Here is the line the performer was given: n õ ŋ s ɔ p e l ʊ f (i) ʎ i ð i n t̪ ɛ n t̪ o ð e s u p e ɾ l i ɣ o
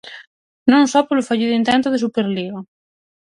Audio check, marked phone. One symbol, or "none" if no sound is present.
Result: a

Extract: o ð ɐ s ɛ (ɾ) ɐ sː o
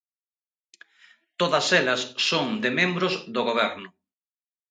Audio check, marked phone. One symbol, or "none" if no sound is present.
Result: l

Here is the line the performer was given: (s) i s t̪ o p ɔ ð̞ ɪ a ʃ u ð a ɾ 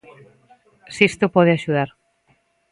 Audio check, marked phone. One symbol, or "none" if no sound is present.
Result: s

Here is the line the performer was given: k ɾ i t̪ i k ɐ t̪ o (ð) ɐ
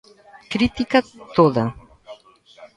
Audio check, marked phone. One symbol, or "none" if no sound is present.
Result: ð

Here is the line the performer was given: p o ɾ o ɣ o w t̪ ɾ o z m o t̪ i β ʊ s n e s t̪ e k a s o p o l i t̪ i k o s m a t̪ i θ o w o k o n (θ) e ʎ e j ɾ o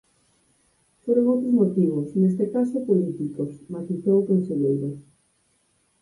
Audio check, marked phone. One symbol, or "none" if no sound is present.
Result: s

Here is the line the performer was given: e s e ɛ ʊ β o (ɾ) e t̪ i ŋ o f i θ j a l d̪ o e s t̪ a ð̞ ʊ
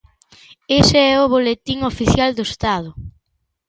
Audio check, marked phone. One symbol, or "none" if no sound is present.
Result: l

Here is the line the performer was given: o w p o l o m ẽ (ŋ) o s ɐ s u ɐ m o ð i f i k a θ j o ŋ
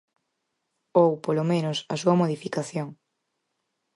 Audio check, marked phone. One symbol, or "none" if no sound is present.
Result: n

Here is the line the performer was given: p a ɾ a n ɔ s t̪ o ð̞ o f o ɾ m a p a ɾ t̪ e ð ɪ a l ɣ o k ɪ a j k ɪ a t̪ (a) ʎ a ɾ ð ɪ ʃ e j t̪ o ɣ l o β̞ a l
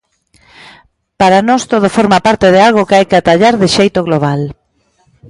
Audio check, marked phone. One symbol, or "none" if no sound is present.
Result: a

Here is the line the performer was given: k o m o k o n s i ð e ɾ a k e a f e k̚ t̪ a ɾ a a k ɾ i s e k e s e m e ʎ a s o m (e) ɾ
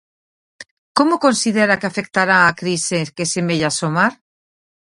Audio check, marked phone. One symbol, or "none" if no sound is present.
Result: a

